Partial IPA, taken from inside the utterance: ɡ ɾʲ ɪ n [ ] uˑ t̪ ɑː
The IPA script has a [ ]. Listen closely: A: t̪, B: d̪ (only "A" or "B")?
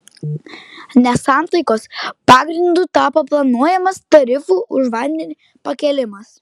B